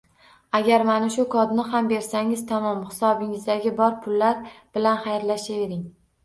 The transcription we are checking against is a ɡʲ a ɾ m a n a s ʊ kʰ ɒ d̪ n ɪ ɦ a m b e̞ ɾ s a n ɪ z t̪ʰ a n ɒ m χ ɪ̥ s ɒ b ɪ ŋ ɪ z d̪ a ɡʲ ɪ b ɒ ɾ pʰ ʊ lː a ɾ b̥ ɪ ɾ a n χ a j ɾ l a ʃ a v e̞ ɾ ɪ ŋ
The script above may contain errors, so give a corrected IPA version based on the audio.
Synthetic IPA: a ɡʲ a ɾ m a n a ʃ ʊ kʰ ɒ d̪ n ɪ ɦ a m b e̞ ɾ s a ŋ ɪ z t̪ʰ a m ɒ m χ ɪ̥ s ɒ b ɪ ŋ ɪ z d̪ a ɡʲ ɪ b ɒ ɾ pʰ ʊ lː a ɾ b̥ ɪ l a n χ a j ɾ l a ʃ a v e̞ ɾ ɪ ŋ

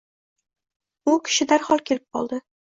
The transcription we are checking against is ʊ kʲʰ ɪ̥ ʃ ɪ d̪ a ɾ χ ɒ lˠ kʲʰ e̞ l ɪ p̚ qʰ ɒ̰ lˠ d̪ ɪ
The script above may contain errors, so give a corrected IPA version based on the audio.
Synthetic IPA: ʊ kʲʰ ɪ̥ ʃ ɪ d̪ a ɾ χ ɒ lˠ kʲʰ e̞ l ɪ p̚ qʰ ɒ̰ lˠ d̪ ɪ

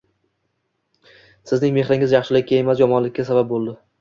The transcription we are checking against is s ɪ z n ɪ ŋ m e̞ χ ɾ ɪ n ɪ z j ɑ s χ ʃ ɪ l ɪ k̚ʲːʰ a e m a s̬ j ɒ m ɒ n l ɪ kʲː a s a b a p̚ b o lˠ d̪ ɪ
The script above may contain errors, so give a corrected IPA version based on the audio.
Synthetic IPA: s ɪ z n ɪ ŋ m e̞ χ ɾ ɪ ŋ ɪ z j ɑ χ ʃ ɪ l ɪ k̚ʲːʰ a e m a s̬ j ɒ m ɒ n l ɪ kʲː a s a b a p̚ b o lˠ d̪ ɪ

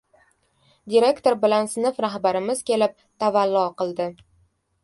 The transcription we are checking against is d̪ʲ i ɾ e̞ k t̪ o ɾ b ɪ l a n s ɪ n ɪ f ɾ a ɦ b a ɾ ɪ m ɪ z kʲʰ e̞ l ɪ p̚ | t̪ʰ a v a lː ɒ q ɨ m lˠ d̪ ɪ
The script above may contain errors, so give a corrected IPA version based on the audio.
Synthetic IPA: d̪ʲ i ɾ e̞ k t̪ o ɾ b ɪ l a n s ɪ n ɪ f ɾ a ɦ b a ɾ ɪ m ɪ z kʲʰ e̞ l ɪ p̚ | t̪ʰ a v a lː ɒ q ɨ lˠ d̪ ɪ

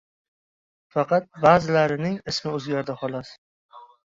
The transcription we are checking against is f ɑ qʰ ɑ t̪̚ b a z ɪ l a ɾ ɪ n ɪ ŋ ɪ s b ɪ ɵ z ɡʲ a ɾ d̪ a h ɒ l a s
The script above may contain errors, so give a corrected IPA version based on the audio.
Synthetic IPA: f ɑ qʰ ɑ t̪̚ b a z ɪ l a ɾ ɪ n ɪ ŋ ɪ s m ɪ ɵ z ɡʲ a ɾ d̪ a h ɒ l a s

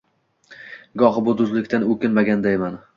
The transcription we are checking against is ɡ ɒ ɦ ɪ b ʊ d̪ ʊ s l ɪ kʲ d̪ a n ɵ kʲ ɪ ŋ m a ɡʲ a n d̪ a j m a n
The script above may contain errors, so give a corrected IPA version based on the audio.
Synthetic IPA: ɡ ɒ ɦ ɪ b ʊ d̪ ʊ z l ɪ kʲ t̪ a n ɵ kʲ ɪ n m a ɡʲ a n d̪ a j m a n

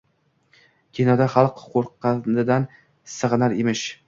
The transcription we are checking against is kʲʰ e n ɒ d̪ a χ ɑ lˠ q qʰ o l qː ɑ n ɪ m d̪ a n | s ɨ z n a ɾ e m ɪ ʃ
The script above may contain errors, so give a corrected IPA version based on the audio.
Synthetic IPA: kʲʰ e n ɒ d̪ a χ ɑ lˠ q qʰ o ɾ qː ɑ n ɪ d̪ a n | s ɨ ʁ n a ɾ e m ɪ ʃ

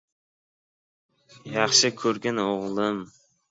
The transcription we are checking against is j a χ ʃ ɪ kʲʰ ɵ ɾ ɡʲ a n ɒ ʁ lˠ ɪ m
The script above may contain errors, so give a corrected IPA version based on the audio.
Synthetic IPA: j ɑ χ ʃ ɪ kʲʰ ɵ ɾ ɡʲ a n o ʁ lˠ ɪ m

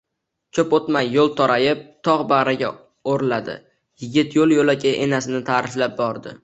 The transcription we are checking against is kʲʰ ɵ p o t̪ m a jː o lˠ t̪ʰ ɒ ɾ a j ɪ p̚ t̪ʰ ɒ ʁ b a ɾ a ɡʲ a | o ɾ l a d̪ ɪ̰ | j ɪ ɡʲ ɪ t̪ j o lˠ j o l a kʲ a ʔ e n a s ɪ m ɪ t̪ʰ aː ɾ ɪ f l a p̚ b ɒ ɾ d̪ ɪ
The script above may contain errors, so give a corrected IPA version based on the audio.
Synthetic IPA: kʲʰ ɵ p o t̪ m a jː o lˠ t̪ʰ ɒ ɾ a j ɪ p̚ t̪ʰ ɒ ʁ b a ɾ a ɡʲ a | o ɾ l a d̪ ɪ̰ | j ɪ ɡʲ ɪ t̪ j o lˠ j o l a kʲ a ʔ e n a s ɪ n ɪ t̪ʰ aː ɾ ɪ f l a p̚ b ɒ ɾ d̪ ɪ

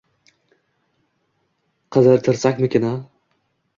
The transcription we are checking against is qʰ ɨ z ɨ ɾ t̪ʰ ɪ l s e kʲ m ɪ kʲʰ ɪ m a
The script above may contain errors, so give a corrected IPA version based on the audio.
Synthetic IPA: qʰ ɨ z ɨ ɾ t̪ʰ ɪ ɾ s a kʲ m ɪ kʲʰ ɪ n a

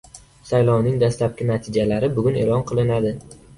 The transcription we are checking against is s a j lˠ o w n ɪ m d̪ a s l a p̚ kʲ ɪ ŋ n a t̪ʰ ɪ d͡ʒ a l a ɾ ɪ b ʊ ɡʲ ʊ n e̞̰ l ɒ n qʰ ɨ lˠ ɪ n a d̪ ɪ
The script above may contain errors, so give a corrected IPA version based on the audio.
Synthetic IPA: s a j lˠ ɒ w n ɪ ŋ d̪ a s l a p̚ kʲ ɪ n a t̪ʰ ɪ d͡ʒ a l a ɾ ɪ b ʊ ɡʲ ʊ n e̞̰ l ɒ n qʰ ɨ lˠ ɪ n a d̪ ɪ

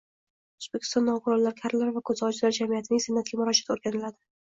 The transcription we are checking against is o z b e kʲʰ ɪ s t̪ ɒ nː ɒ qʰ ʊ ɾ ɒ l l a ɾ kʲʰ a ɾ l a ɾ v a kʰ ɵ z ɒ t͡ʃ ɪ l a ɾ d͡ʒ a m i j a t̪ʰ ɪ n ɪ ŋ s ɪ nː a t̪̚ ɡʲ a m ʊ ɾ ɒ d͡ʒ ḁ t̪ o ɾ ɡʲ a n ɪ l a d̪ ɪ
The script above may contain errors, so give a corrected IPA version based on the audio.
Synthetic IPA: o z b e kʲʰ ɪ s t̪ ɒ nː ɒ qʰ ʊ ɾ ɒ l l a ɾ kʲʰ a ɾ l a ɾ v a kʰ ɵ z ɒ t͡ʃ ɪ l a ɾ d͡ʒ a m i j a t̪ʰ ɪ n ɪ ŋ s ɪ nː a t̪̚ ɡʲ a m ʊ ɾ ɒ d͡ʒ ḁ t̪ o ɾ ɡʲ a n ɪ l a d̪ ɪ

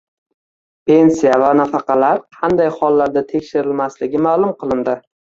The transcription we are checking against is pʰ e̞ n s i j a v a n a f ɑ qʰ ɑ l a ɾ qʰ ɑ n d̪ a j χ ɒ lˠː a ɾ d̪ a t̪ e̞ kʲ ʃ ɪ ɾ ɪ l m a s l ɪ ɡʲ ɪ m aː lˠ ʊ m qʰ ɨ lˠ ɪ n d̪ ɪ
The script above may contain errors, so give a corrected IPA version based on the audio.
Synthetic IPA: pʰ e̞ n s i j a v a n a f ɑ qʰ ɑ l a ɾ qʰ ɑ n d̪ a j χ ɒ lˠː a ɾ d̪ a t̪ʰ e̞ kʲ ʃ ɪ ɾ ɪ l m a s l ɪ ɡʲ ɪ m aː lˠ ʊ m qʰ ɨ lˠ ɪ n d̪ ɪ

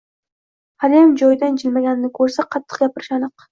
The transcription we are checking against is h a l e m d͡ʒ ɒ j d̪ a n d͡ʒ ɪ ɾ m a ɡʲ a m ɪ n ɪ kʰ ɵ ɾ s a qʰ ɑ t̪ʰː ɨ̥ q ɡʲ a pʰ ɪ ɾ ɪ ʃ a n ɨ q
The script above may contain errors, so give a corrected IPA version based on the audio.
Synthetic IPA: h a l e m d͡ʒ ɒ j d̪ a n d͡ʒ ɪ l m a ɡʲ a n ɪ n ɪ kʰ ɵ ɾ s a qʰ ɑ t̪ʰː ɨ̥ q ɡʲ a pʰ ɪ ɾ ɪ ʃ a n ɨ q

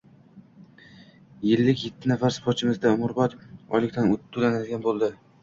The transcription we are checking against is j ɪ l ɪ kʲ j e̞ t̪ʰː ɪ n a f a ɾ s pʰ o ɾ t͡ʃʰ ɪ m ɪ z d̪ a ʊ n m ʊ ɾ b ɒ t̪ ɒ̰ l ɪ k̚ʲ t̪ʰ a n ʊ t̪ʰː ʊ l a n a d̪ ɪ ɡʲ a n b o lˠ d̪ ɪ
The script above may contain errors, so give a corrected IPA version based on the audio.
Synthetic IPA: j ɪ lː ɪ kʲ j e̞ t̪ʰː ɪ n a f a ɾ s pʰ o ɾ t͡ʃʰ ɪ m ɪ z d̪ a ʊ m ʊ ɾ b ɒ t̪ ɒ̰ l ɪ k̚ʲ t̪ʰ a n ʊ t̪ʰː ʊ l a n a d̪ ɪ ɡʲ a n b o lˠ d̪ ɪ

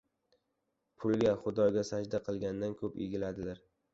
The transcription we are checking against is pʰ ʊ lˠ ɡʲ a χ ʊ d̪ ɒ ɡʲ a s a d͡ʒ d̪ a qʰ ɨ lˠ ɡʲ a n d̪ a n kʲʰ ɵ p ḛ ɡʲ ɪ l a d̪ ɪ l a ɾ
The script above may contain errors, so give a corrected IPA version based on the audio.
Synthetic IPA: pʰ ʊ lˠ ɡʲ a χ ʊ d̪ ɒ ɡʲ a s a d͡ʒ d̪ a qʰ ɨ lˠ ɡʲ a n d̪ a n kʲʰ ɵ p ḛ ɡʲ ɪ l a d̪ ɪ l a ɾ

